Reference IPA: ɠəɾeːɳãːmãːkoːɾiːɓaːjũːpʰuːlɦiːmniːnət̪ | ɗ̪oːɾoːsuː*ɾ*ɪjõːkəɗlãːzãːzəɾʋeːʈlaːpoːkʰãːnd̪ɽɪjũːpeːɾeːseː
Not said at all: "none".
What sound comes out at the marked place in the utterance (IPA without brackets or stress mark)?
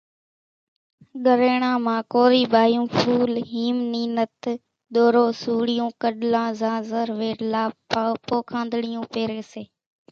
ɽ